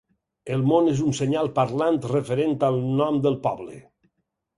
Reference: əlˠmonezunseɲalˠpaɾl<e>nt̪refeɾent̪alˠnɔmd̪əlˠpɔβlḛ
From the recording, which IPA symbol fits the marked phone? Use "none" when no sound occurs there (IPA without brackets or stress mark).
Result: a